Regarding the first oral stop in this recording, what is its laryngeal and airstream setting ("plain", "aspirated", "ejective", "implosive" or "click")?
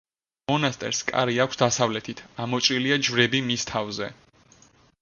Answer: ejective